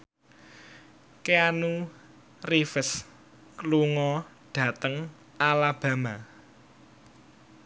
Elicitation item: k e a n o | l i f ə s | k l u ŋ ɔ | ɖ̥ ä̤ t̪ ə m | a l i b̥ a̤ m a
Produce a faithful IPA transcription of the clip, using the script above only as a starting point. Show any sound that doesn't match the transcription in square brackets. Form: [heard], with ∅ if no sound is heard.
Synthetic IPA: k e a n [u] | [r] i f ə s | k l u ŋ ɔ | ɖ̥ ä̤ t̪ ə [ŋ] | a l [a] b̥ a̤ m a

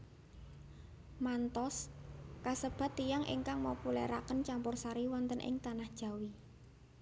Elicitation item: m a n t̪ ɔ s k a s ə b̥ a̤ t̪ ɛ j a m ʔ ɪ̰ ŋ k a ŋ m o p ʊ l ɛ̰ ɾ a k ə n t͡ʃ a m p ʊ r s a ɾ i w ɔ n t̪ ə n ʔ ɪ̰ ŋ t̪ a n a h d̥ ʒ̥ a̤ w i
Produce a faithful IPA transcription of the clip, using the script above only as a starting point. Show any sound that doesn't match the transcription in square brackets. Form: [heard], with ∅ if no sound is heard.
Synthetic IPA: m a n t̪ ɔ s k a s ə b̥ a̤ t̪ [i] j a [ŋ] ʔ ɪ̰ ŋ k a ŋ m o p [u] l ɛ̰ ɾ a k ə n t͡ʃ a m p ʊ r s a ɾ i w ɔ n t̪ ə n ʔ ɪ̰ ŋ t̪ a n a h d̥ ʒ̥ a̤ w i

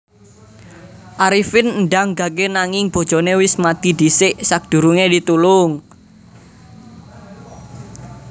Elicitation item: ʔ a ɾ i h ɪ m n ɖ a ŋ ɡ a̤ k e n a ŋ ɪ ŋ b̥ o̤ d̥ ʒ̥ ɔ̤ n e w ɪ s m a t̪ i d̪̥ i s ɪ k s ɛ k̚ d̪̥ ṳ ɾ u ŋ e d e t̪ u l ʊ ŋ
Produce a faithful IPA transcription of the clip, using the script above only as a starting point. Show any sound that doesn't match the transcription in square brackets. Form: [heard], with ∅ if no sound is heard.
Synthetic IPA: ʔ a ɾ i [f] ɪ [n] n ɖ a ŋ ɡ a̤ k e n a ŋ ɪ ŋ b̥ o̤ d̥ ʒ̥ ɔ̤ n e w ɪ s m a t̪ i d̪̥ i s ɪ [ʔ] s [a] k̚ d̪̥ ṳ ɾ u ŋ e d [i] t̪ u l ʊ ŋ

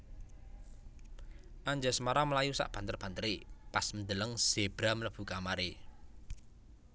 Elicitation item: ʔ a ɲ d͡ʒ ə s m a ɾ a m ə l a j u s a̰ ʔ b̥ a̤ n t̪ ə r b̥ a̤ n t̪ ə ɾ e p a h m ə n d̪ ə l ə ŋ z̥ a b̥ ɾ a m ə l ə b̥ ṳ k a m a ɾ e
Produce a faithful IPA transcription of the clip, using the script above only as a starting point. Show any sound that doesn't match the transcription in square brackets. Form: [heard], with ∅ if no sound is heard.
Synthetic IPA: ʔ a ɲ d͡ʒ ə s m a ɾ a m ə l a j u s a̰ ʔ b̥ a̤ n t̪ ə r b̥ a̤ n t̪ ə ɾ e p a [s] m ə n d̪ ə l ə ŋ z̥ [e] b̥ ɾ a m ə l ə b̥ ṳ k a m a ɾ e

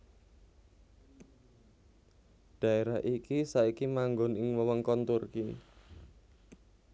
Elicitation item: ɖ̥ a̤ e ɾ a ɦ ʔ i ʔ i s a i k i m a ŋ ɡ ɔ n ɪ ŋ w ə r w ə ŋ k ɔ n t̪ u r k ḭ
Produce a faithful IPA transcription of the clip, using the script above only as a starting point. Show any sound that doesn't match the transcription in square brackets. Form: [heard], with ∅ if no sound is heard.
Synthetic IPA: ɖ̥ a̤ e ɾ a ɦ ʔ i [k] i s a i k i m a ŋ ɡ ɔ n ɪ ŋ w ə [∅] w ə ŋ k ɔ n t̪ u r k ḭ

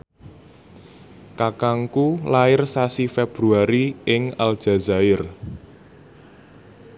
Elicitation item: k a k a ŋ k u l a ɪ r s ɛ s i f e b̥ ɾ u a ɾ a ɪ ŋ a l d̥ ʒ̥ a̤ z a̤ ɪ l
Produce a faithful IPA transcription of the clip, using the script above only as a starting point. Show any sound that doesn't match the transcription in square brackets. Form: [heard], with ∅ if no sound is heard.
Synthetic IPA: k a k a ŋ k u l a ɪ r s [a] s i f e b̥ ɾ u a ɾ [i] ɪ ŋ a l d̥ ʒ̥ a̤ z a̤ ɪ [r]

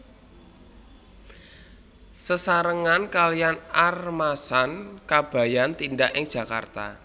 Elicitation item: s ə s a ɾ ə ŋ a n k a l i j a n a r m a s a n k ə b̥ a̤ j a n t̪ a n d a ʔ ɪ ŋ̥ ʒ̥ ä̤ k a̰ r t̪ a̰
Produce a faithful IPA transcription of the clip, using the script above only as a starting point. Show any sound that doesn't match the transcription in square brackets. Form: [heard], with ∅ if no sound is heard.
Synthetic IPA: s ə s a ɾ ə ŋ a n k a l i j a n a r m a s a n k [a] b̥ a̤ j a n t̪ [i] n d a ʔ ɪ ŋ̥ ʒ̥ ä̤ k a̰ r t̪ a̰

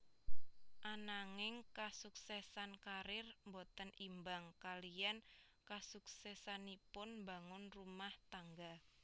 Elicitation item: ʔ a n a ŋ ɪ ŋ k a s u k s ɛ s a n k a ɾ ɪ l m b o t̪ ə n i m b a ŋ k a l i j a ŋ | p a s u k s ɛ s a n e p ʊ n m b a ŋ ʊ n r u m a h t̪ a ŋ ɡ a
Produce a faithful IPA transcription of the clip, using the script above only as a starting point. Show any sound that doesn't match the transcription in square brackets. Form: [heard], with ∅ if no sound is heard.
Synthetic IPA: ʔ a n a ŋ ɪ ŋ k a s u k s ɛ s a n k a ɾ ɪ [r] m b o t̪ ə n i m b a ŋ k a l i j a [n] | [k] a s u k s ɛ s a n [i] p ʊ n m b a ŋ ʊ n r u m a h t̪ a ŋ ɡ a

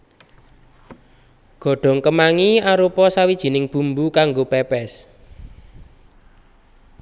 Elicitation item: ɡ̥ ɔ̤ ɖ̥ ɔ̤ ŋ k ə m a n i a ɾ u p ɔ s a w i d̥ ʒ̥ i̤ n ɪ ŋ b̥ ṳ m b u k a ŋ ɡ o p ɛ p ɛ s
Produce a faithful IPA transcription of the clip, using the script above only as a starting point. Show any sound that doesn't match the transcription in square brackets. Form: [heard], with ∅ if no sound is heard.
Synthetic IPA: ɡ̥ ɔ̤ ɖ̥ ɔ̤ ŋ k ə m a [ŋ] i a ɾ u p ɔ s a w i d̥ ʒ̥ i̤ n ɪ ŋ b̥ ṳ m b u k a ŋ ɡ o p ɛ p ɛ s

